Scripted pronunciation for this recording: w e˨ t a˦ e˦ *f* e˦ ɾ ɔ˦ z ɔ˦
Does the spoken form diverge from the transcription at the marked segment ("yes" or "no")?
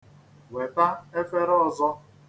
no